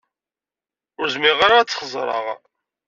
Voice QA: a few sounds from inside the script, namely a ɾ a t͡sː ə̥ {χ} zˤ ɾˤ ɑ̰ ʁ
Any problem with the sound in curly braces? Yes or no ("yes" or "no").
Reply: no